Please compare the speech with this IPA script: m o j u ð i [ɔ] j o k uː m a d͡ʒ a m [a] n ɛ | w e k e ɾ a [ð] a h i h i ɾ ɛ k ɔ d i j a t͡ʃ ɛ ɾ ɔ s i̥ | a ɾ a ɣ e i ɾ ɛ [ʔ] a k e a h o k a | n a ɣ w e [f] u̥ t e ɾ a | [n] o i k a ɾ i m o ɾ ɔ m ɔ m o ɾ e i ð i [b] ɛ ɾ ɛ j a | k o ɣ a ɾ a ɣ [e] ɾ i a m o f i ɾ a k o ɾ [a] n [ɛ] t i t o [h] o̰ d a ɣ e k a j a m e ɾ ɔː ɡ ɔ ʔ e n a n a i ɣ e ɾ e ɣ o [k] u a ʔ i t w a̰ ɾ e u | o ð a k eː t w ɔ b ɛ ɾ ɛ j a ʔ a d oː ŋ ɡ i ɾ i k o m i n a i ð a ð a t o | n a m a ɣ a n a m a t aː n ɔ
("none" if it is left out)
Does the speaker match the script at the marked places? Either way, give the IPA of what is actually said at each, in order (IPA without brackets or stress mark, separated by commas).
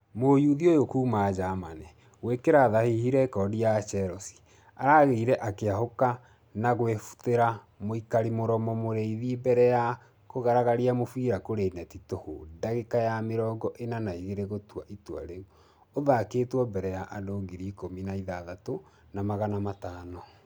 o, a, ð, ʔ, f, m, b, a, e, ɛ, h, t